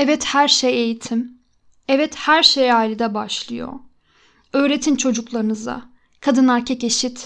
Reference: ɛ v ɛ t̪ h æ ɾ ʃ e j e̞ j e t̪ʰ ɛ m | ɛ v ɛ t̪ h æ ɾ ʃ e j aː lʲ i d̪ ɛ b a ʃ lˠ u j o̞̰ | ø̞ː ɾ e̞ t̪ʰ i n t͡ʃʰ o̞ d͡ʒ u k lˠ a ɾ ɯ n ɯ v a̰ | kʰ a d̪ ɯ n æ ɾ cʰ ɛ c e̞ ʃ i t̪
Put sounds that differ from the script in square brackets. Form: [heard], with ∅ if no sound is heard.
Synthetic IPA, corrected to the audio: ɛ v ɛ t̪ h æ ɾ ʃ e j e̞ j [i] t̪ʰ [i] m | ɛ v ɛ t̪ h æ ɾ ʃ e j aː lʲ i d̪ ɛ b a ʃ lˠ [ɯ] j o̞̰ | ø̞ː ɾ e̞ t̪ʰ i n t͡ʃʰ o̞ d͡ʒ u k lˠ a ɾ ɯ n ɯ [z] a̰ | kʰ a d̪ ɯ n æ ɾ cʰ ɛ c e̞ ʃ i t̪